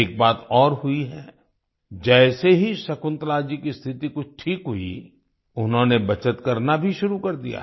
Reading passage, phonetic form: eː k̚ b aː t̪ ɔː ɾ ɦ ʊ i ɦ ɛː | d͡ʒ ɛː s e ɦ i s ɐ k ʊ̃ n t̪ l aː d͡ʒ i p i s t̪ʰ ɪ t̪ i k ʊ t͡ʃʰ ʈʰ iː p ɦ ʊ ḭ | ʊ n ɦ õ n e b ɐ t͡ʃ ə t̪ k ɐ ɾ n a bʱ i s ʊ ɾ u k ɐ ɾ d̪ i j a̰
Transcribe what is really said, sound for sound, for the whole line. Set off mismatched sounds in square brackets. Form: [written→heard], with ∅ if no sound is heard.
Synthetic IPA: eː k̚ b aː t̪ ɔː ɾ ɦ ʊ i ɦ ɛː | d͡ʒ ɛː s e ɦ i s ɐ k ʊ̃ n t̪ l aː d͡ʒ i [p→k] i s t̪ʰ ɪ t̪ i k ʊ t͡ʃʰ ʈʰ iː [p→k] ɦ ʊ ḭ | ʊ n ɦ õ n e b ɐ t͡ʃ ə t̪ k ɐ ɾ n a bʱ i [s→ʃ] ʊ ɾ u k ɐ ɾ d̪ i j a̰